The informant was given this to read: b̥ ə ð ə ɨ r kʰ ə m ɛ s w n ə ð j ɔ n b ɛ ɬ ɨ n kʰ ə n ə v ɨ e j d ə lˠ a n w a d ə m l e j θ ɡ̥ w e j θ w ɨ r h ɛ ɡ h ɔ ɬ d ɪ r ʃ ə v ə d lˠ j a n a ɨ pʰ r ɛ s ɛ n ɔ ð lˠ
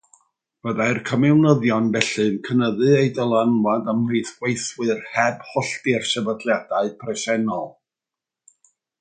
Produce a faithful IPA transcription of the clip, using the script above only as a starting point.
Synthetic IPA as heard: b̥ ə ð a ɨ r kʰ ə m ɛ w n ə ð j ɔ n b ɛ ɬ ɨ n kʰ ə n ə ð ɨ e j d ə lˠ a n w a d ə m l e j θ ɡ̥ w e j θ w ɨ r h ɛ b h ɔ ɬ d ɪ r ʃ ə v ə d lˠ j a d a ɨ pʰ r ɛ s ɛ n ɔ lˠ